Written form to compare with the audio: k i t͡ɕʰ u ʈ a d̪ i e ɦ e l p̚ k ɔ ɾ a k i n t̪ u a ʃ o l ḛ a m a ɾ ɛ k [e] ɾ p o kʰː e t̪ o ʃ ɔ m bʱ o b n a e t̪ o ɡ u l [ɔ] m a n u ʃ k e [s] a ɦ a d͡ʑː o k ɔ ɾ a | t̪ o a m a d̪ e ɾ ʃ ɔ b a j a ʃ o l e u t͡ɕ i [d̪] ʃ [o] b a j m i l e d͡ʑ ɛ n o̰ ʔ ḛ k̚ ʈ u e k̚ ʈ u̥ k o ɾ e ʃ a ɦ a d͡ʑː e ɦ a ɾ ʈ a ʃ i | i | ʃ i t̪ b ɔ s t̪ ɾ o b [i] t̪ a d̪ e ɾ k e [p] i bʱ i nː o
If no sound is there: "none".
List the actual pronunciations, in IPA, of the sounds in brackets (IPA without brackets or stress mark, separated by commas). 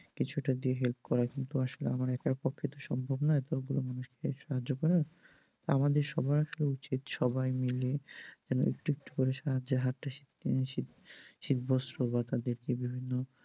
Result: a, o, ʃ, t̪, ɔ, a, b